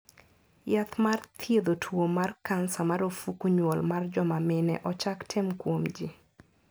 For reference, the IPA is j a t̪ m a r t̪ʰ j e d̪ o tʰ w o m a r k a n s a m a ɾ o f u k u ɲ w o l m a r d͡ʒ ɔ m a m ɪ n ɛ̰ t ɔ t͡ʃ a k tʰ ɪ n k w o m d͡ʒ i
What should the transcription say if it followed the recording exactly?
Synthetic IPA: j a t̪ m a r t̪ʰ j e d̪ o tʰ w o m a r k a n s a m a ɾ o f u k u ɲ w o l m a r d͡ʒ ɔ m a m ɪ n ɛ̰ ʔ ɔ t͡ʃ a k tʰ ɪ m k w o m d͡ʒ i